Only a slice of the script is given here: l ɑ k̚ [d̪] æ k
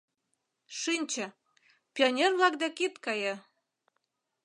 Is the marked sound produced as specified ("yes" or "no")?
yes